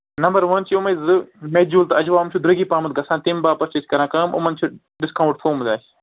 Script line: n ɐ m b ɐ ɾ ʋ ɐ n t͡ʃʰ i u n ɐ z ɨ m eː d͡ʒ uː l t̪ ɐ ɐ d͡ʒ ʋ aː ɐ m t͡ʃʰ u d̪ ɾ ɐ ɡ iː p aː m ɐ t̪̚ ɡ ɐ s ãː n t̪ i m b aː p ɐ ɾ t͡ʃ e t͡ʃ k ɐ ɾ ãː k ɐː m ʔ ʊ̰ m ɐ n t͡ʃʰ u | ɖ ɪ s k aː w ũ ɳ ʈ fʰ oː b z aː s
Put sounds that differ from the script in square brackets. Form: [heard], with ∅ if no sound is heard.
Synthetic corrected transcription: n ɐ m b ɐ ɾ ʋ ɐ n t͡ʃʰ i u [m] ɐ z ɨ m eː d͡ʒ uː l t̪ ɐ ɐ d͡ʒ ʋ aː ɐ m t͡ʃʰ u d̪ ɾ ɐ ɡ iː p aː m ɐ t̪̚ ɡ ɐ s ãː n t̪ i m b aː p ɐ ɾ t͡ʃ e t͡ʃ k ɐ ɾ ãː k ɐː m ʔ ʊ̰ m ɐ n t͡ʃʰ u | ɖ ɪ s k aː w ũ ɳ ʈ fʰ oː [m] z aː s